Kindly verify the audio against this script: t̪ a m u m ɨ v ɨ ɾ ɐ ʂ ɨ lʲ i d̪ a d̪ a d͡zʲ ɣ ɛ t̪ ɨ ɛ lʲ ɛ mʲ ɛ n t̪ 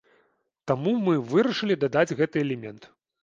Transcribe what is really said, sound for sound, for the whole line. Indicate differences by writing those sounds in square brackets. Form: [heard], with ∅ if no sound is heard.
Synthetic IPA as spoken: t̪ a m u m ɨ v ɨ ɾ ɐ ʂ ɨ lʲ i d̪ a d̪ a d͡zʲ ɣ ɛ t̪ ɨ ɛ lʲ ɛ mʲ ɛ n t̪